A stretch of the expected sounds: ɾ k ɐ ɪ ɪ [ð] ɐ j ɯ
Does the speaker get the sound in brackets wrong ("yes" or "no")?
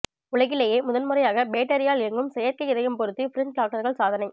no